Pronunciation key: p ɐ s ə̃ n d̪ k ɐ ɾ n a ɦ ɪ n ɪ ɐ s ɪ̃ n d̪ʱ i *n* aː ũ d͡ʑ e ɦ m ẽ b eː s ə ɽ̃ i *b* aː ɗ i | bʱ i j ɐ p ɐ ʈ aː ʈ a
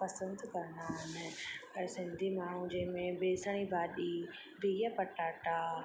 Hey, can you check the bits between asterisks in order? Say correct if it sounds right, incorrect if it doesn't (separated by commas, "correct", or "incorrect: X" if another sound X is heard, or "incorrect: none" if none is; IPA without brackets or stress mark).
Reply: incorrect: m, correct